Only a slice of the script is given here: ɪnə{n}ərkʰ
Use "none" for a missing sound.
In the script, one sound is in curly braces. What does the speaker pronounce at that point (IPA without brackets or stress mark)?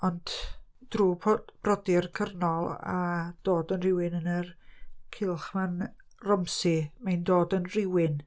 n